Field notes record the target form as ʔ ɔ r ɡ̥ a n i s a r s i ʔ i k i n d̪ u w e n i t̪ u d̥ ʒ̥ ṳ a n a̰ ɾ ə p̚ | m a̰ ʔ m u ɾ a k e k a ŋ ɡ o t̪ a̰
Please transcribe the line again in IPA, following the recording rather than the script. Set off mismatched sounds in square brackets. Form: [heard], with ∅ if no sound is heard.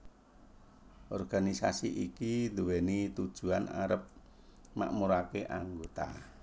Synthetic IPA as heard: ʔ ɔ r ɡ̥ a n i s a [∅] s i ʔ i k i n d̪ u w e n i t̪ u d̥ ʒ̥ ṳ a n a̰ ɾ ə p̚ | m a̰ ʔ m u ɾ a k e [ʔ] a ŋ ɡ o t̪ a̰